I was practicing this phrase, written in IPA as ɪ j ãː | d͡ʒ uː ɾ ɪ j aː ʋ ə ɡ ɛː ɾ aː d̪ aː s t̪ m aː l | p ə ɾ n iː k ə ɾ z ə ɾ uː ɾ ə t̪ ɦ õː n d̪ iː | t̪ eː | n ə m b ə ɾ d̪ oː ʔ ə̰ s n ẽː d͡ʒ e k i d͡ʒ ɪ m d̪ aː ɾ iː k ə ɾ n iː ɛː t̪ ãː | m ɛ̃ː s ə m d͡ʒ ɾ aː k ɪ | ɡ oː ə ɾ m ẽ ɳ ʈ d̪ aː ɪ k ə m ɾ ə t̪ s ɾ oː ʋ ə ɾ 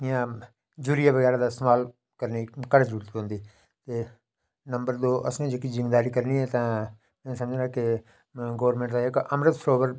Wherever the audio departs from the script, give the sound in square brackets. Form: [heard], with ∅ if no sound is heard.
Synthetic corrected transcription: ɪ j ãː | d͡ʒ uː ɾ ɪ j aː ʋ ə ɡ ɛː ɾ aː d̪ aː s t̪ m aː l | [k] ə ɾ n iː k ə ɾ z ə ɾ uː ɾ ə t̪ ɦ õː n d̪ iː | t̪ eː | n ə m b ə ɾ d̪ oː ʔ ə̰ s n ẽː d͡ʒ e k i d͡ʒ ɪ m d̪ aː ɾ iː k ə ɾ n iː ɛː t̪ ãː | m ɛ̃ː s ə m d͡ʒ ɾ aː k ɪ | ɡ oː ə ɾ m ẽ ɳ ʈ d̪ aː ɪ k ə m ɾ ə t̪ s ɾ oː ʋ ə ɾ

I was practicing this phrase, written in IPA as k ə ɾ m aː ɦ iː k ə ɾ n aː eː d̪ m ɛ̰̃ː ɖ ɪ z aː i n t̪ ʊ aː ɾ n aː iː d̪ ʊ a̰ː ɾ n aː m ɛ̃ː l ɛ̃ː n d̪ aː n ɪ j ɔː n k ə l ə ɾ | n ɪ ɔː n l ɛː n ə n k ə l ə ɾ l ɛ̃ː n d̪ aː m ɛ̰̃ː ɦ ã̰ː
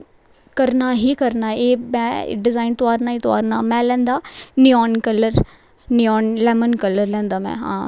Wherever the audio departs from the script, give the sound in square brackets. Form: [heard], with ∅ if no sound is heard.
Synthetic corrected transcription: k ə ɾ [n] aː ɦ iː k ə ɾ n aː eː [∅] m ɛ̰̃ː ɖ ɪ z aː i n t̪ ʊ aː ɾ n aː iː [t̪] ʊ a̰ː ɾ n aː m ɛ̃ː l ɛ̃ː n d̪ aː n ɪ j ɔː n k ə l ə ɾ | n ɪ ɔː n l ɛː [m] ə n k ə l ə ɾ l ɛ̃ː n d̪ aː m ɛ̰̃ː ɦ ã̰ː

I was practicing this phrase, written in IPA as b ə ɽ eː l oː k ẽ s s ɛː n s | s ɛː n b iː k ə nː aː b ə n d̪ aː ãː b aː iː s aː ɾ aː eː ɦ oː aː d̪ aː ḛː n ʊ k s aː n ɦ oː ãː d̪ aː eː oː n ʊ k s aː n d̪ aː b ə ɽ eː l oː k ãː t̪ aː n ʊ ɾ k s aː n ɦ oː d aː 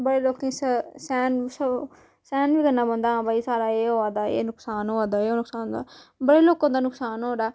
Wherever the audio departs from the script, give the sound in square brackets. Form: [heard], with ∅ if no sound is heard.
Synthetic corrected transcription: b ə ɽ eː l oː k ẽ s s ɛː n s | s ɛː n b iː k ə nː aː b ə n d̪ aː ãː b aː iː s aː ɾ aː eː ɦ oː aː d̪ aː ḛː n ʊ k s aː n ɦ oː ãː d̪ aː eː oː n ʊ k s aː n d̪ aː b ə ɽ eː l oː k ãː [d̪] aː n ʊ [∅] k s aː n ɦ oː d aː

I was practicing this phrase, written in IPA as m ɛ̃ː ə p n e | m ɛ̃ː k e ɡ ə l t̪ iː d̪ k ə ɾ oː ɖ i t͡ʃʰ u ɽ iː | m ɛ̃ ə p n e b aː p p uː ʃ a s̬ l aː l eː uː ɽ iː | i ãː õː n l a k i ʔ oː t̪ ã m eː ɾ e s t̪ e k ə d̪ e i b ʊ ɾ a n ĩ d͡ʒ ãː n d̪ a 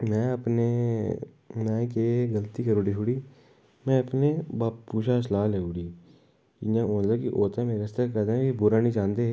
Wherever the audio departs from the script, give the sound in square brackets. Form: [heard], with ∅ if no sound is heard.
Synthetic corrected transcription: m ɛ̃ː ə p n e | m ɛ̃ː k e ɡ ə l t̪ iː [∅] k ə ɾ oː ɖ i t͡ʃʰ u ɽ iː | m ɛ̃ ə p n e b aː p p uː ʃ a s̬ l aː l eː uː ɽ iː | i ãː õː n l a k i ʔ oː t̪ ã m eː ɾ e s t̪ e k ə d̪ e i b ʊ ɾ a n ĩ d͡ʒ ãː n d̪ [e]

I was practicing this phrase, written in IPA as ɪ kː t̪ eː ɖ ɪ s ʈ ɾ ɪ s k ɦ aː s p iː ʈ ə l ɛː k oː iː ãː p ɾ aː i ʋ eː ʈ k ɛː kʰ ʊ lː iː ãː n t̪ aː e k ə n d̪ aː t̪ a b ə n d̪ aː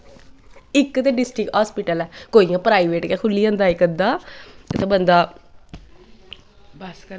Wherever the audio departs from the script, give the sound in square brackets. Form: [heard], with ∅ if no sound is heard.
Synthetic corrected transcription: ɪ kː t̪ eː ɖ ɪ s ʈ ɾ ɪ [∅] k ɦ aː s p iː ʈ ə l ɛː k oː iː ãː p ɾ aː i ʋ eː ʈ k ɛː kʰ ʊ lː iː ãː n [d̪] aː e k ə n d̪ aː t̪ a b ə n d̪ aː

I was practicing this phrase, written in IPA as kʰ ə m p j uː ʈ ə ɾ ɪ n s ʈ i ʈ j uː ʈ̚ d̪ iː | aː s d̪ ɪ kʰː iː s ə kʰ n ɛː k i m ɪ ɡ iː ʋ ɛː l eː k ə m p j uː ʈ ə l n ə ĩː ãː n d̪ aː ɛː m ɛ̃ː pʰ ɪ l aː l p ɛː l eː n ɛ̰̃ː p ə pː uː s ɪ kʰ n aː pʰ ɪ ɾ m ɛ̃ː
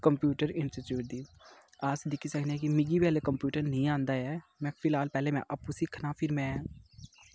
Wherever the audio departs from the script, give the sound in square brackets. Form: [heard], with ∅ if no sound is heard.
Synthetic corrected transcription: [k] ə m p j uː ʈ ə ɾ ɪ n s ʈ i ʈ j uː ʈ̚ d̪ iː | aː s d̪ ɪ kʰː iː s ə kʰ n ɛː k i m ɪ ɡ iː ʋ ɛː l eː k ə m p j uː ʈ ə [ɾ] n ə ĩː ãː n d̪ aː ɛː m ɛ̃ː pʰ ɪ l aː l p ɛː l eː [m] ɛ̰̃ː [ʔ] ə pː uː s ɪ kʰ n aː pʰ ɪ ɾ m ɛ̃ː

